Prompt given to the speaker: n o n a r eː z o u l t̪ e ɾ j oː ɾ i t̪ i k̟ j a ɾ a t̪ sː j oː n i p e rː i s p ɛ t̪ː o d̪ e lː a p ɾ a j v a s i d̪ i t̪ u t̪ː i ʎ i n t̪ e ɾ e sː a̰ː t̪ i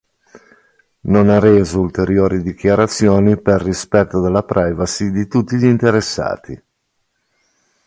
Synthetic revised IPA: n o n a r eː z o u l t̪ e ɾ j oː ɾ i d̪ i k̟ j a ɾ a t̪ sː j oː n i p e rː i s p ɛ t̪ː o d̪ e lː a p ɾ a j v a s i d̪ i t̪ u t̪ː i ʎ i n t̪ e ɾ e sː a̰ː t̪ i